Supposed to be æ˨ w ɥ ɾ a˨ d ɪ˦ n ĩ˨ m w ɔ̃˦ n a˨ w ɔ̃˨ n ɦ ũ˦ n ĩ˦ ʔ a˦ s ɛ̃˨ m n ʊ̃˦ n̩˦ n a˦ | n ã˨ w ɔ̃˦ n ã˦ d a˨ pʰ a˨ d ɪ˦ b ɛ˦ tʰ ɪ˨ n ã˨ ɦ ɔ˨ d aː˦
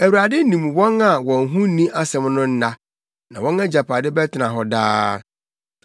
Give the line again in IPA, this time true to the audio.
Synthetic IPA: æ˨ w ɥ ɾ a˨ d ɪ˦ n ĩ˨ m w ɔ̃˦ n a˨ w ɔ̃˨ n ɦ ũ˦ n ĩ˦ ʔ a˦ s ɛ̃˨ m n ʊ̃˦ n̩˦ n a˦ | n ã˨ w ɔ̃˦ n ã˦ d͡ʑ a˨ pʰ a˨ d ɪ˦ b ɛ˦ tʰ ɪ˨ n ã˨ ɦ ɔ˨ d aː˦